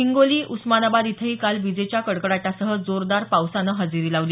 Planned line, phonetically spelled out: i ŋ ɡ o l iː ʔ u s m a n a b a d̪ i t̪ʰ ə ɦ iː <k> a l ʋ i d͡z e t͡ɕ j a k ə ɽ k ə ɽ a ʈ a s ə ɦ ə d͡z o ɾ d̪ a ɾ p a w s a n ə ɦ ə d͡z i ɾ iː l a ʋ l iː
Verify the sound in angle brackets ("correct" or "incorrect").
correct